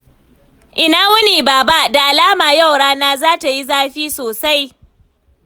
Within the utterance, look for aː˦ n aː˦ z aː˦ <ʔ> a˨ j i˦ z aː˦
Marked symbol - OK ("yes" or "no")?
no